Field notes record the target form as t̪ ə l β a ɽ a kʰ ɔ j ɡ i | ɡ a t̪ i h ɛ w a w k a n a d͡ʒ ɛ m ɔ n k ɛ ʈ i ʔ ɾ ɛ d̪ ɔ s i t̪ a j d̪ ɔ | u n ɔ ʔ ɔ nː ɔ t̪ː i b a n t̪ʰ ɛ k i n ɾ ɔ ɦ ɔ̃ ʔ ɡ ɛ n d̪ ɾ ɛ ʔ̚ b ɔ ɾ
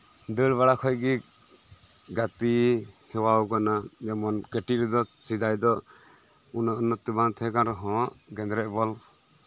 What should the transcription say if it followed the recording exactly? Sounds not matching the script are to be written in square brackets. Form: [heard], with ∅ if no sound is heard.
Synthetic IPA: [d̪] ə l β a ɽ a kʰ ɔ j ɡ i | ɡ a t̪ i h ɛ w a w k a n a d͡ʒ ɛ m ɔ n k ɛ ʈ i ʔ ɾ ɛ d̪ ɔ s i [d̪] a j d̪ ɔ | u n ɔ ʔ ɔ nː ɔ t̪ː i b a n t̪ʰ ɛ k [a] n ɾ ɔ ɦ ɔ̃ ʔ ɡ ɛ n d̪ ɾ ɛ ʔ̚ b ɔ [l]

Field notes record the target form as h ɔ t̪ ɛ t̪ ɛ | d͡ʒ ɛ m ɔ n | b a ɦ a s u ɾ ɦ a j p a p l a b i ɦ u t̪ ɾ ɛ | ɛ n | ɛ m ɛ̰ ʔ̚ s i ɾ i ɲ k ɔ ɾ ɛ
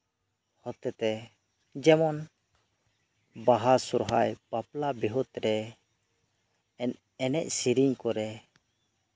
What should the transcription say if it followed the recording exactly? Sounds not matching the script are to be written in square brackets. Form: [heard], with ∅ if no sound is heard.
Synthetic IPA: h ɔ t̪ ɛ t̪ ɛ | d͡ʒ ɛ m ɔ n | b a ɦ a s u ɾ ɦ a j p a p l a b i ɦ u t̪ ɾ ɛ | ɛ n | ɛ [n] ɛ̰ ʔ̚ s i ɾ i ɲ k ɔ ɾ ɛ

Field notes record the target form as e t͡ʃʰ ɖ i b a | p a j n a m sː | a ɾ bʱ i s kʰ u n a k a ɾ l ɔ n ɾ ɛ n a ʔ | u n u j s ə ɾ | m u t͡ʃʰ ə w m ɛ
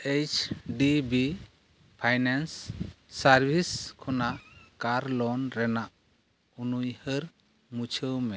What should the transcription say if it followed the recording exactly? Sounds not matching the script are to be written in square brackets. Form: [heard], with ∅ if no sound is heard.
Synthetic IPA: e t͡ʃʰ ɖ i b [i] | [pʰ] a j n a [n] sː | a ɾ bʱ i s kʰ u n a k a ɾ l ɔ n ɾ ɛ n a ʔ | u n u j [h] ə ɾ | m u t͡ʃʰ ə w m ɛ

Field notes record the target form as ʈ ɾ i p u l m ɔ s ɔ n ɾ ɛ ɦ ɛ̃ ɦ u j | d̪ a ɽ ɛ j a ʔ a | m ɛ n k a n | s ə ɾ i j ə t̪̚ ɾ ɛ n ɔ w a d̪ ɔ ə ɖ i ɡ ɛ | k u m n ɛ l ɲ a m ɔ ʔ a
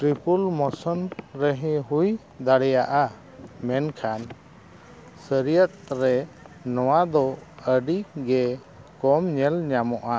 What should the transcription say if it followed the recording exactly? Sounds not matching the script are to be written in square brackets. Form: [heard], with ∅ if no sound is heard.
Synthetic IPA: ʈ ɾ i p u l m ɔ s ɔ n ɾ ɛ ɦ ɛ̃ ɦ u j | d̪ a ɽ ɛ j a ʔ a | m ɛ n [kʰ] a n | s ə ɾ i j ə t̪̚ ɾ ɛ n ɔ w a d̪ ɔ ə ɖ i ɡ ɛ | k [ɔ] m [ɲ] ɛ l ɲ a m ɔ ʔ a

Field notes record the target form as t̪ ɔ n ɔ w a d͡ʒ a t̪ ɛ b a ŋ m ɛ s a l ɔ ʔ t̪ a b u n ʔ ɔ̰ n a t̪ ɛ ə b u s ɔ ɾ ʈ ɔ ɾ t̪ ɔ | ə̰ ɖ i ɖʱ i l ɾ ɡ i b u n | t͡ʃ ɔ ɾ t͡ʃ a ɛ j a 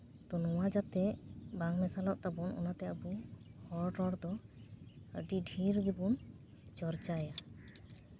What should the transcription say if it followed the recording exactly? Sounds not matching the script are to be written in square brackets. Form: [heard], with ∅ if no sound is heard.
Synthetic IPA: t̪ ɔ n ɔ w a d͡ʒ a t̪ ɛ b a ŋ m ɛ s a l ɔ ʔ t̪ a b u n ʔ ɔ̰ n a t̪ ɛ ə b u [h] ɔ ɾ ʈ ɔ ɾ [d̪] ɔ | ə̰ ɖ i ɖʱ i [∅] ɾ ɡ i b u n | t͡ʃ ɔ ɾ t͡ʃ a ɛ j a

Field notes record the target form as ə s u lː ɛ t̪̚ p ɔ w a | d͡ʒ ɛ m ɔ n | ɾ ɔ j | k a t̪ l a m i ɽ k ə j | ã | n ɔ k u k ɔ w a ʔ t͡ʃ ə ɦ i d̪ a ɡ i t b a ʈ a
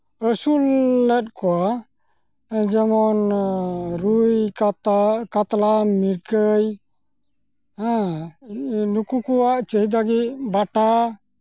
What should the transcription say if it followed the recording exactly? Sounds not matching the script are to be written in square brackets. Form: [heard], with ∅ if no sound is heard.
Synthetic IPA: ə s u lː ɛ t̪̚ [k] ɔ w a | d͡ʒ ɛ m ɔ n | ɾ [u] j | k a t̪ l a m i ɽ k ə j | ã | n [u] k u k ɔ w a ʔ t͡ʃ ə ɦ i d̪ a ɡ i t b a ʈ a

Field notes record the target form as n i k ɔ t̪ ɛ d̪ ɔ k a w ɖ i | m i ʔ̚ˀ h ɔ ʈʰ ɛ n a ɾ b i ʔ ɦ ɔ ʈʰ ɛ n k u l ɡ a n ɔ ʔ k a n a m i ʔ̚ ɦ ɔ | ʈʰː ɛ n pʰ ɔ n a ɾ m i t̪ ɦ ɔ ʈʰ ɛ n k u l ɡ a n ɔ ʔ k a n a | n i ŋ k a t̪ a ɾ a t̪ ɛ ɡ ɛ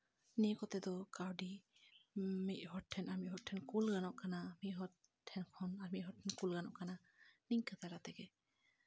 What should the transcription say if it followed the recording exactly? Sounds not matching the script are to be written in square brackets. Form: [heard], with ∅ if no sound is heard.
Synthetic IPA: n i k ɔ t̪ ɛ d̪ ɔ k a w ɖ i | m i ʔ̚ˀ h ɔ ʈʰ ɛ n a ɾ [m] i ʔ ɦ ɔ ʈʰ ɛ n k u l ɡ a n ɔ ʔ k a n a m i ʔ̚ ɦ ɔ | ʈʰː ɛ n [kʰ] ɔ n a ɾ m i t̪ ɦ ɔ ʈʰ ɛ n k u l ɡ a n ɔ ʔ k a n a | n i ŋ k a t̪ a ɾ a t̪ ɛ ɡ ɛ

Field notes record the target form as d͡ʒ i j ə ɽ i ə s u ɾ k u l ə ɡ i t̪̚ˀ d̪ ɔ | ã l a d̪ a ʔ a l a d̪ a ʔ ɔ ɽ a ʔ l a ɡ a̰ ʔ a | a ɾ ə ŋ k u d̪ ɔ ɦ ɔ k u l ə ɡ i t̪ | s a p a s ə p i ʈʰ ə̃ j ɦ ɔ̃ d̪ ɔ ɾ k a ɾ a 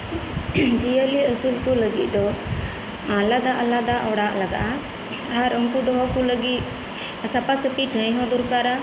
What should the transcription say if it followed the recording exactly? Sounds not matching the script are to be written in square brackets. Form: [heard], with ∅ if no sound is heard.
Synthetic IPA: d͡ʒ i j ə [l] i ə s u [l] k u l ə ɡ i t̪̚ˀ d̪ ɔ | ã l a d̪ a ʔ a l a d̪ a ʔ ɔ ɽ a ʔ l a ɡ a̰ ʔ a | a ɾ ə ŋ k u d̪ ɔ ɦ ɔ k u l ə ɡ i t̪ | s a p a s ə p i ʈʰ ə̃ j ɦ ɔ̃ d̪ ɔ ɾ k a ɾ a

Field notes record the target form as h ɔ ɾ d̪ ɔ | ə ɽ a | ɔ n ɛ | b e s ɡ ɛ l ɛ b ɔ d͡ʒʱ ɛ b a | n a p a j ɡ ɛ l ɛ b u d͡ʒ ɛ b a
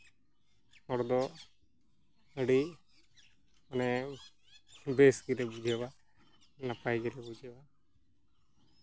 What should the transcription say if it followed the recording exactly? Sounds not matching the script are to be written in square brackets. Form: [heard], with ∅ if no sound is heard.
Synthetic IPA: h ɔ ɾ d̪ ɔ | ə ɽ [i] | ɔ n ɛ | b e s ɡ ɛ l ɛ b [u] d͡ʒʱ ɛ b a | n a p a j ɡ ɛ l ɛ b u d͡ʒ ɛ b a

